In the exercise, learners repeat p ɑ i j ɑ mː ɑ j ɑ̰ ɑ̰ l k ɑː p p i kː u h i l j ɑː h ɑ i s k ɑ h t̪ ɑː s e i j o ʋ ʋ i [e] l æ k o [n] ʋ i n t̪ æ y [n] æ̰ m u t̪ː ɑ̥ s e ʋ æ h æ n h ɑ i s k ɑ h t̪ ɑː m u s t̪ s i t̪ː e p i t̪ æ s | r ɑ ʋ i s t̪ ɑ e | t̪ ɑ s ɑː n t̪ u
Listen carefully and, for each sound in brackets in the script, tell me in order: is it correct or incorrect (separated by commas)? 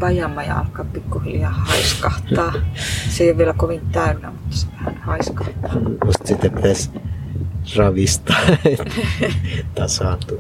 correct, incorrect, incorrect